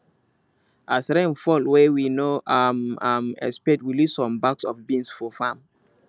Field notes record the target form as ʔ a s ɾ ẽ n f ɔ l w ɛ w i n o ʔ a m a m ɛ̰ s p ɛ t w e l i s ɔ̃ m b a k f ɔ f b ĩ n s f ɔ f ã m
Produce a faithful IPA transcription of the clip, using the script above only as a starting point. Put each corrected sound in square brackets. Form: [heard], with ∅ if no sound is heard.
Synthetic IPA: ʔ a s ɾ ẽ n f ɔ l w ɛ w i n o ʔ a m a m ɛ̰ s p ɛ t w [i] l i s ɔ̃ m b a k [s] ɔ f b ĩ n s f ɔ f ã m